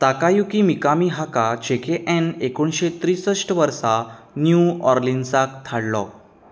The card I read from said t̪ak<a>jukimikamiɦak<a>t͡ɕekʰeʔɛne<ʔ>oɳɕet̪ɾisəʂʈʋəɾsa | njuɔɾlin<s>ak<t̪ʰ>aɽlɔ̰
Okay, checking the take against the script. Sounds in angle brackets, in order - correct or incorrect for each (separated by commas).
correct, correct, incorrect, correct, correct